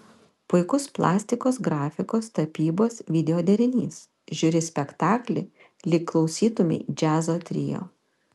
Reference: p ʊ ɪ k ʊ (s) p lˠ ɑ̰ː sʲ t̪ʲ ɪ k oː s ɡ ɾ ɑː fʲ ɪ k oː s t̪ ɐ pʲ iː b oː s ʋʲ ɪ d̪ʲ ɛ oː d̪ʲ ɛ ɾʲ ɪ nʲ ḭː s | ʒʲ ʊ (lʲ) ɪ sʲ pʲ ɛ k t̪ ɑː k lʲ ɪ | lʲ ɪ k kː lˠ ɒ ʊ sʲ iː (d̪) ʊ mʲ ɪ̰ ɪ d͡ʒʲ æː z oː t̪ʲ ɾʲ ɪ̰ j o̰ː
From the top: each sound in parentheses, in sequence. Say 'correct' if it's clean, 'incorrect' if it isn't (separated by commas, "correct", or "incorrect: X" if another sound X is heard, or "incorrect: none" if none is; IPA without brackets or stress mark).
correct, incorrect: ɾʲ, incorrect: t̪